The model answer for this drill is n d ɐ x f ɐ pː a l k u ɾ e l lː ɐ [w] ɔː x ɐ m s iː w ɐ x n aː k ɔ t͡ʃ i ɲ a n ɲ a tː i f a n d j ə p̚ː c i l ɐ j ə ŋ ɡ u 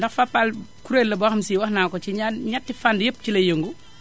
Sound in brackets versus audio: incorrect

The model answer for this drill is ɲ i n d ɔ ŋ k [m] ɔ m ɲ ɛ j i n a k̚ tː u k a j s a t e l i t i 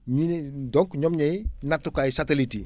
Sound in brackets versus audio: incorrect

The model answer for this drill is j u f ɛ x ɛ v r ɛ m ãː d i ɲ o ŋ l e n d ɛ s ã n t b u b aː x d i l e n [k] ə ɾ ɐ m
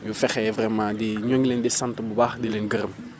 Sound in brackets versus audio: incorrect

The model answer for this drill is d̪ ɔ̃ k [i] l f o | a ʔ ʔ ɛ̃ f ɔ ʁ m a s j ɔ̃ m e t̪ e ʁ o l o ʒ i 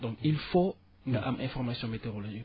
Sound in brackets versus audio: correct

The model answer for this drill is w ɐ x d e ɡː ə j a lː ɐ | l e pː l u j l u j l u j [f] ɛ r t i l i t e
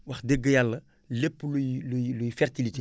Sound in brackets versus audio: correct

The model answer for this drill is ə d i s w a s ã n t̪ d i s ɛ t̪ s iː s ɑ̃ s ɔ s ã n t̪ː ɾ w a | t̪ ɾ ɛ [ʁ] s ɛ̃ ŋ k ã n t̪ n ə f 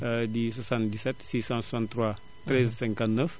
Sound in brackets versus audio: incorrect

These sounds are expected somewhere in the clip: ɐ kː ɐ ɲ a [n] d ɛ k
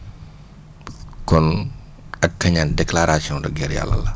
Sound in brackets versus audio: correct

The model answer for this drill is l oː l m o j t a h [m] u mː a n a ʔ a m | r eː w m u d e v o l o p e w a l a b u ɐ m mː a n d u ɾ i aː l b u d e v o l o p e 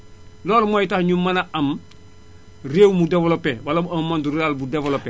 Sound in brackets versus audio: incorrect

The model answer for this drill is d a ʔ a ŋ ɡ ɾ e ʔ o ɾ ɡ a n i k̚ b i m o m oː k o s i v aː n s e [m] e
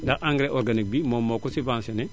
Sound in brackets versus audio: incorrect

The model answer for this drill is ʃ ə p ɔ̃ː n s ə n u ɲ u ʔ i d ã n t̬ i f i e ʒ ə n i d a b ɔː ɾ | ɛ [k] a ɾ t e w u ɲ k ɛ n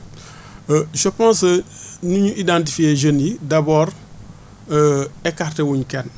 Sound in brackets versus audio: correct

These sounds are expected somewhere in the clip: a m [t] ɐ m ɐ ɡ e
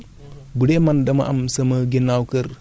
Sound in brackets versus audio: incorrect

